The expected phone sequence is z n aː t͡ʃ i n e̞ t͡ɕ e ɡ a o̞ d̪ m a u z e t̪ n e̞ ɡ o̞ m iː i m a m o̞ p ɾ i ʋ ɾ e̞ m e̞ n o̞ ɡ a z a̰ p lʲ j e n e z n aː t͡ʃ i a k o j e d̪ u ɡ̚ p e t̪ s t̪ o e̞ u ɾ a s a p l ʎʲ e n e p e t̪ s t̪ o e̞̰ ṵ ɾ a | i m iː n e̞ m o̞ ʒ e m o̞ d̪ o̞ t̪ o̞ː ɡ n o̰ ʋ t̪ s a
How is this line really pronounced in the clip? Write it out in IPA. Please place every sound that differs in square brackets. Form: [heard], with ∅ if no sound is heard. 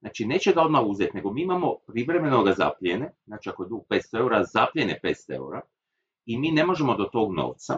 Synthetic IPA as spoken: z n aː t͡ʃ i n e̞ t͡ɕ e ɡ a o̞ d̪ m a u z e t̪ n e̞ ɡ o̞ m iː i m a m o̞ p ɾ i ʋ ɾ e̞ m e̞ n o̞ ɡ a z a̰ p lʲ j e n e z n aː t͡ʃ i a k o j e d̪ u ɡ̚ p e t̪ s t̪ o e̞ u ɾ a [z] a p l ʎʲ e n e p e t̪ s t̪ o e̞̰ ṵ ɾ a | i m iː n e̞ m o̞ ʒ e m o̞ d̪ o̞ t̪ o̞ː ɡ n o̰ ʋ t̪ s a